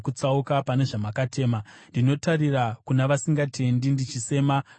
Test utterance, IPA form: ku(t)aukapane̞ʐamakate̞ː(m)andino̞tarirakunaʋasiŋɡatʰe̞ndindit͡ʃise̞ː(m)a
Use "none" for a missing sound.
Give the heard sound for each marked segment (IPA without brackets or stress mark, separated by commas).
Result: t͡s, m, m